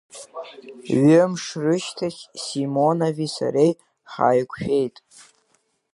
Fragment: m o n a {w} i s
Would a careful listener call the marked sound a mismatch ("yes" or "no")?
yes